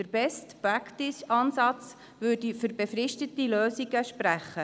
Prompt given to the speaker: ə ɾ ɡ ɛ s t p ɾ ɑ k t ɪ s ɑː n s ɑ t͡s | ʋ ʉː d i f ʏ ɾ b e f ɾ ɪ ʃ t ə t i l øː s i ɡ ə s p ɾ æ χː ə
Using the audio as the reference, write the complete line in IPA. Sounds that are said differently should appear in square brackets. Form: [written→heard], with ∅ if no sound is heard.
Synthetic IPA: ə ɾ [ɡ→b] ɛ s t p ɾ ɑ k t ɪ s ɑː n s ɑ t͡s | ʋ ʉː d i f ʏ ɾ b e f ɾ ɪ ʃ t ə t i l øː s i ɡ ə [s→ʃ] p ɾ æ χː ə